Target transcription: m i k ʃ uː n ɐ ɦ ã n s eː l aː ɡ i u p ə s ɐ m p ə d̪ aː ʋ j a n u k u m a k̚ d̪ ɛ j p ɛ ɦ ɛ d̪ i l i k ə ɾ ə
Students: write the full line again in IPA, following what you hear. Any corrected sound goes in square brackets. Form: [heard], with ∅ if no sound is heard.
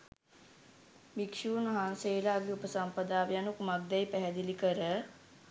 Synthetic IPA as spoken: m i k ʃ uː n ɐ ɦ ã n s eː l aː ɡ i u p ə s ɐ m p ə d̪ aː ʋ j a n u k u m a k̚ d̪ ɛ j p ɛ ɦ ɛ d̪ i l i k ə ɾ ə